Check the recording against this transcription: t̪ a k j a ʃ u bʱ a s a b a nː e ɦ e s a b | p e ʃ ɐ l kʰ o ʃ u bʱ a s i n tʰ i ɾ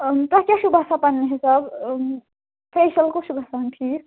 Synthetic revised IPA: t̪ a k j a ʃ u bʱ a s a p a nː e ɦ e s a b | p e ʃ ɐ l k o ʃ u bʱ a s a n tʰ i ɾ